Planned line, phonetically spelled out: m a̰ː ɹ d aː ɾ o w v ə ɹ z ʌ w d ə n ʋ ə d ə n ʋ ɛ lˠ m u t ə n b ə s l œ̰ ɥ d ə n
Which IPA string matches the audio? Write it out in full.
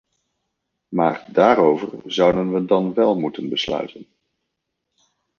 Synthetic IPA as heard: m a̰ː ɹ d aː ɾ o w v ə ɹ z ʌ w d ə n ʋ ə d ɑ n ʋ ɛ lˠ m u t ə n b ə s l œ̰ ɥ t ə n